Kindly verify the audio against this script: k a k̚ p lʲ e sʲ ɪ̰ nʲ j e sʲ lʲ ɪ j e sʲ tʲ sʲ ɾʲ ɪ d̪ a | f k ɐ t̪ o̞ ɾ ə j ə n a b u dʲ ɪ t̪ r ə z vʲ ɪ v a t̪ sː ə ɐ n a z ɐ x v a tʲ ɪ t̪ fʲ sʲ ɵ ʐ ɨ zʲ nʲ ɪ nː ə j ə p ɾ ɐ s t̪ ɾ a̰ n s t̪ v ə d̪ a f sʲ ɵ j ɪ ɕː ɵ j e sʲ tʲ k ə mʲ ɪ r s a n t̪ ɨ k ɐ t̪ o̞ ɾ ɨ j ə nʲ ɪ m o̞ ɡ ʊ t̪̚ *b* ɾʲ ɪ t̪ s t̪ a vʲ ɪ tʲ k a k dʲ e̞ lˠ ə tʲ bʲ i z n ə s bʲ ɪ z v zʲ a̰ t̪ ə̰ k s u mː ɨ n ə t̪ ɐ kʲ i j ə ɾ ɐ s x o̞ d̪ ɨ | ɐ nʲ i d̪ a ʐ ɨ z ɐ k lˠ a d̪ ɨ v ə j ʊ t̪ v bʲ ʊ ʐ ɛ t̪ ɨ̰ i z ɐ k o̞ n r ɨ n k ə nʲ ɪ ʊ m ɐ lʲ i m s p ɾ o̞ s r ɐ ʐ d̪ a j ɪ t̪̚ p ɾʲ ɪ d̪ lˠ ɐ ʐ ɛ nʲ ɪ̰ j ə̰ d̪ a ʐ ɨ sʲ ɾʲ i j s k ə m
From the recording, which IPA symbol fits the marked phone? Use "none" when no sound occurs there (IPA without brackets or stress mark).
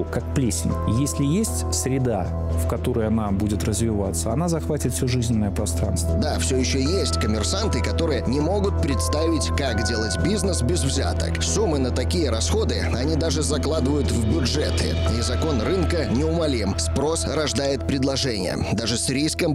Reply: p